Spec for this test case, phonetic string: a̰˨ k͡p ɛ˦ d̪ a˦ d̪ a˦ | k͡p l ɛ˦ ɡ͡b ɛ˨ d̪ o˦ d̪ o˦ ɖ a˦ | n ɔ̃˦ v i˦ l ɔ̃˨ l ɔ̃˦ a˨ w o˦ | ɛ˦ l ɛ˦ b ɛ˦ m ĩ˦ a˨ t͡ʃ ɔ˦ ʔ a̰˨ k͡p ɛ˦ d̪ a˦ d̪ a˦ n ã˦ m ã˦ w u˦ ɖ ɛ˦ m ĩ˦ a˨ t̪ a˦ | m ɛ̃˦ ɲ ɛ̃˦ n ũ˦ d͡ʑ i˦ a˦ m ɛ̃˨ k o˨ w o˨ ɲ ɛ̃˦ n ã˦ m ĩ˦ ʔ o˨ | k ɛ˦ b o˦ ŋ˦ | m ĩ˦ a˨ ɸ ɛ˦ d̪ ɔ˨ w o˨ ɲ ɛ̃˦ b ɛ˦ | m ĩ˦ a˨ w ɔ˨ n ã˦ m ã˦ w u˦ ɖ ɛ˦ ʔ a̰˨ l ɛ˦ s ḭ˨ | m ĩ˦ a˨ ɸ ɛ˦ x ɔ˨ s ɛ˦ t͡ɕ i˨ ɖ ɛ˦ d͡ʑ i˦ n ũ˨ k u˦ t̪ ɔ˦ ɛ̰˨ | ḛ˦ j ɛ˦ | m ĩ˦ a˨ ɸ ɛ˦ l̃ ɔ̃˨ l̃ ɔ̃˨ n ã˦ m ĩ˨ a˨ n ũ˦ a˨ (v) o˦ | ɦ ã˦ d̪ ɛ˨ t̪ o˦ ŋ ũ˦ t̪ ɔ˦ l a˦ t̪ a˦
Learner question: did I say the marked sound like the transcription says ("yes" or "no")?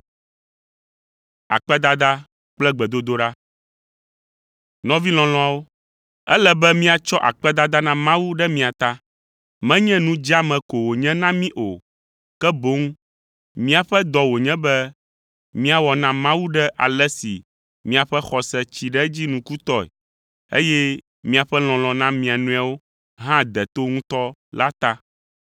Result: no